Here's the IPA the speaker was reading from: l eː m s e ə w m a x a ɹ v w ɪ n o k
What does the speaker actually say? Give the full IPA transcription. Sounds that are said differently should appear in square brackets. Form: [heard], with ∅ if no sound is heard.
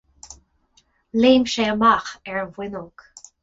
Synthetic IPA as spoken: l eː m [ʃ] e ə [∅] m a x [ɛ] ɹ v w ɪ n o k